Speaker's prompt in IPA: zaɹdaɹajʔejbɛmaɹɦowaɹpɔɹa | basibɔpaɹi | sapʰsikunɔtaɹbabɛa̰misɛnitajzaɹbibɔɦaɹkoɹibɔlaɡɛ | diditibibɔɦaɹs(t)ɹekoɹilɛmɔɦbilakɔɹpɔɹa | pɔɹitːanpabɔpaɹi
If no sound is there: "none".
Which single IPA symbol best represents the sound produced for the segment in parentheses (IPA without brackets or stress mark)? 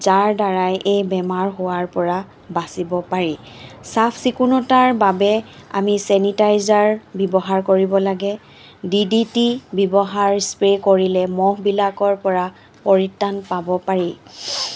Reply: p